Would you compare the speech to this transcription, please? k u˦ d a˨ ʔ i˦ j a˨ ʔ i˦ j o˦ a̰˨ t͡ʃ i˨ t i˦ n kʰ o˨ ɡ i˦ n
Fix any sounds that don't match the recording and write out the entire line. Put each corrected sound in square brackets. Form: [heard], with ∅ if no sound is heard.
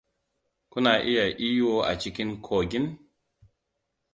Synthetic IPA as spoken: k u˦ [n] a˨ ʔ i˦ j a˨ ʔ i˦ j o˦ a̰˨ t͡ʃ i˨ [k] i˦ n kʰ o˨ ɡ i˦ n